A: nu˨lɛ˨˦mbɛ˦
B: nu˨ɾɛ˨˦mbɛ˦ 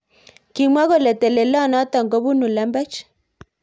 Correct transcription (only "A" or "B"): A